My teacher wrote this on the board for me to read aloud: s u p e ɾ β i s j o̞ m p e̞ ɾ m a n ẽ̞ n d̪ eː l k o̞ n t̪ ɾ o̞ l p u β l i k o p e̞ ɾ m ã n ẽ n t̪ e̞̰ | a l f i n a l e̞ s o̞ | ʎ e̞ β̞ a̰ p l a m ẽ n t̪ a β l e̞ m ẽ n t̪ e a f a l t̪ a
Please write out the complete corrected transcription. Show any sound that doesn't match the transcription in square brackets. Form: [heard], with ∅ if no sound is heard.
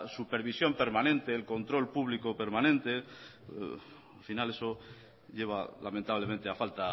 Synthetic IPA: s u p e ɾ β i s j o̞ m p e̞ ɾ m a n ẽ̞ n [t̪] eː l k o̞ n t̪ ɾ o̞ l p u β l i k o p e̞ ɾ m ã n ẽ n t̪ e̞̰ | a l f i n a l e̞ s o̞ | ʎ e̞ β̞ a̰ [∅] l a m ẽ n t̪ a β l e̞ m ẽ n t̪ e a f a l t̪ a